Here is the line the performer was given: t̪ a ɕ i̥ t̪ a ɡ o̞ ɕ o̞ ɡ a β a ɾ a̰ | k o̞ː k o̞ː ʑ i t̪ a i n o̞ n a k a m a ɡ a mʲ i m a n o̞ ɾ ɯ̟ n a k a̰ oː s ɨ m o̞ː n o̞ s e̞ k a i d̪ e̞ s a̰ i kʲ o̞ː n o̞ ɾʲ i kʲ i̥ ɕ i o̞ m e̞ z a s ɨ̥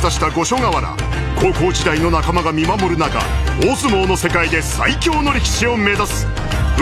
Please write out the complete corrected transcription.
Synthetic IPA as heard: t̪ a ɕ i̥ t̪ a ɡ o̞ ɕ o̞ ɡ a β a ɾ a̰ | k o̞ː k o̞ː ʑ i d̪ a i n o̞ n a k a m a ɡ a mʲ i m a m o̞ ɾ ɯ̟ n a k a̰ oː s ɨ m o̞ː n o̞ s e̞ k a i d̪ e̞ s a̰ i kʲ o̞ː n o̞ ɾʲ i kʲ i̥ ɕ i o̞ m e̞ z a s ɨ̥